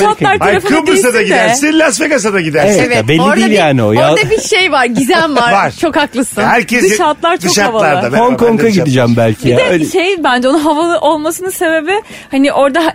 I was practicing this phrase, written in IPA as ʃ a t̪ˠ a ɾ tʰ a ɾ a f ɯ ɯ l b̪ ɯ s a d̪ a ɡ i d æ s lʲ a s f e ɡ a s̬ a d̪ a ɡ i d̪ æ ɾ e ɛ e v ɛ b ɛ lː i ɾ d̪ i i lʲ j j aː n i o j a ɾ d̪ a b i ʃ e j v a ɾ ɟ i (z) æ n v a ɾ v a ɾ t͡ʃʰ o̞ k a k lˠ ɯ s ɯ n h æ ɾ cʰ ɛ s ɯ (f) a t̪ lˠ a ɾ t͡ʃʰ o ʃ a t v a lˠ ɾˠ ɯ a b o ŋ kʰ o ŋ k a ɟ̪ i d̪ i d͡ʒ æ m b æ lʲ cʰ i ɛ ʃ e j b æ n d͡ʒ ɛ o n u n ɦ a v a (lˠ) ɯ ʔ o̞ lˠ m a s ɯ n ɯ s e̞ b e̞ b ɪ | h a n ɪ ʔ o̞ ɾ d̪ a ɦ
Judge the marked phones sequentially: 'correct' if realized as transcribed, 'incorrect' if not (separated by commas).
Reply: correct, incorrect, correct